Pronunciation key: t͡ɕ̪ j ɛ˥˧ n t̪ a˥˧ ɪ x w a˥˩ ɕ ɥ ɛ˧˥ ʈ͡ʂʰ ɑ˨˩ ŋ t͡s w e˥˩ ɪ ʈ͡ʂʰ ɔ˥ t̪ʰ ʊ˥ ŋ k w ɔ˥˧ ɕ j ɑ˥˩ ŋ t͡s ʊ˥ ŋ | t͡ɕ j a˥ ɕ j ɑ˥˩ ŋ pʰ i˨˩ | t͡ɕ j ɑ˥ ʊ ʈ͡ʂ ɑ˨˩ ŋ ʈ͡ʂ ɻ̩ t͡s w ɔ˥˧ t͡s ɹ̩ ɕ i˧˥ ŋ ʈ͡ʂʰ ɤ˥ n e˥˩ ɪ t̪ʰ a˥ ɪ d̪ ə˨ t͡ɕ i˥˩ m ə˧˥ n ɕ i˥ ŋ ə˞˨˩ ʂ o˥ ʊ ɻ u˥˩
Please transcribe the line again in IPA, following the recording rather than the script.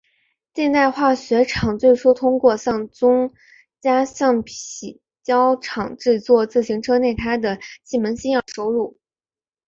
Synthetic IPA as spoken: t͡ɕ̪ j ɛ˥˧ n t̪ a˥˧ ɪ x w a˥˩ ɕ ɥ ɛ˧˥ ʈ͡ʂʰ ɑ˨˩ ŋ t͡s w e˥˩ ɪ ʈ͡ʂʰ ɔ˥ t̪ʰ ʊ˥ ŋ k w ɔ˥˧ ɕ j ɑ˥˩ ŋ t͡s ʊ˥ ŋ | t͡ɕ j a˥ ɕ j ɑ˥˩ ŋ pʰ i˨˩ | t͡ɕ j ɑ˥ ʊ ʈ͡ʂʰ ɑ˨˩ ŋ ʈ͡ʂ ɻ̩ t͡s w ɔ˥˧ t͡s ɹ̩ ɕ i˧˥ ŋ ʈ͡ʂʰ ɤ˥ n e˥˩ ɪ t̪ʰ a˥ ɪ d̪ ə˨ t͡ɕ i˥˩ m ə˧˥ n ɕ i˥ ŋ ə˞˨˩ ʂ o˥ ʊ ɻ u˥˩

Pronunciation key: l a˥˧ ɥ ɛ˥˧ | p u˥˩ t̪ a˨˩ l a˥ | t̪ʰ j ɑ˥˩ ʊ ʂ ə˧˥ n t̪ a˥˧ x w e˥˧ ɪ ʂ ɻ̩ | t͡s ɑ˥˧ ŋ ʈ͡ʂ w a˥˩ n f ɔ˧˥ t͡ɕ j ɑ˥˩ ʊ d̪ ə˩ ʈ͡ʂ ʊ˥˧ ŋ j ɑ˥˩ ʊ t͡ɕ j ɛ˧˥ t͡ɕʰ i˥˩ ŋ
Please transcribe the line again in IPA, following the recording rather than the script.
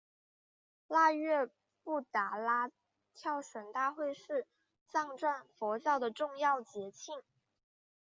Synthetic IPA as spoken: l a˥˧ ɥ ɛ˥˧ | p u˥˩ t̪ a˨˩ l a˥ | t̪ʰ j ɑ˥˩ ʊ ʂ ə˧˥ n t̪ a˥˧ x w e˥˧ ɪ ʂ ɻ̩ | t͡s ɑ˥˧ ŋ ʈ͡ʂ w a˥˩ n f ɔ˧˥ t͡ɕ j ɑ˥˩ ʊ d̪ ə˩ ʈ͡ʂ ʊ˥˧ ŋ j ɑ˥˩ ʊ t͡ɕ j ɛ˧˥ t͡ɕʰ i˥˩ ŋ

